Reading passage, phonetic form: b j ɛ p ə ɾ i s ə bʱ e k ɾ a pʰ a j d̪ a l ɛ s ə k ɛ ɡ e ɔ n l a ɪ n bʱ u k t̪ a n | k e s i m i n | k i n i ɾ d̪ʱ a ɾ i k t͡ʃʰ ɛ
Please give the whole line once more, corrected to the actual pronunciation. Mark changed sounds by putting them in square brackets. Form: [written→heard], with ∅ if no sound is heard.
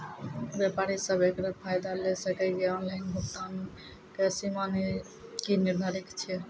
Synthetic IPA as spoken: b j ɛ p [ə→a] ɾ i s ə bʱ e k ɾ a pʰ a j d̪ a l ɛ s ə k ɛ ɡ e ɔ n l a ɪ n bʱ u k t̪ a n | k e s i m [i→a] n | k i n i ɾ d̪ʱ a ɾ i k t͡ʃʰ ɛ